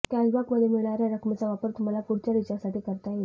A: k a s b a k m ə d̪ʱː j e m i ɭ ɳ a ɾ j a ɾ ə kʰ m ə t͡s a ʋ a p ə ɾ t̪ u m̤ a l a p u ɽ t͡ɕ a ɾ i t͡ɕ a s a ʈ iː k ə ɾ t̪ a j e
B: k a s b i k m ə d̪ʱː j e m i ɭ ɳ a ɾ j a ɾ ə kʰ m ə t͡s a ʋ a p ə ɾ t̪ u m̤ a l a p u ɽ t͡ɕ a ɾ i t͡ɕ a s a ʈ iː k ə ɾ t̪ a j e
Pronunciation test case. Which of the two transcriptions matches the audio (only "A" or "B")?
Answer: A